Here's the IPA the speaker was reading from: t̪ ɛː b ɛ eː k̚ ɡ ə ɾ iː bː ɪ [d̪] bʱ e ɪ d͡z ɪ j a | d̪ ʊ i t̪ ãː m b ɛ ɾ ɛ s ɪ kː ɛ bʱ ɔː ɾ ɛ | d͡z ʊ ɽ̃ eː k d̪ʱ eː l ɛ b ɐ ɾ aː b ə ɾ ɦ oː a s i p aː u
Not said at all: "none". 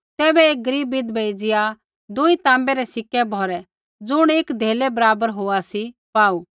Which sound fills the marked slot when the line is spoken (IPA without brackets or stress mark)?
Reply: d̪